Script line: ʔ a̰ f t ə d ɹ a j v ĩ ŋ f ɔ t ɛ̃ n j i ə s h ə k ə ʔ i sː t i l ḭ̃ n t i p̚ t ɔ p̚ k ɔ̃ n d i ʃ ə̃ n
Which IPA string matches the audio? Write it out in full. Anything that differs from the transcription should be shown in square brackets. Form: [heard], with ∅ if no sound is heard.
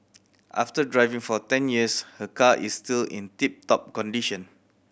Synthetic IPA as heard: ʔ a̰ f t ə d ɹ a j v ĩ ŋ f ɔ t ɛ̃ n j i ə s h ə k [a] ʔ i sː t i l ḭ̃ n t i p̚ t ɔ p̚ k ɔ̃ n d i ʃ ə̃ n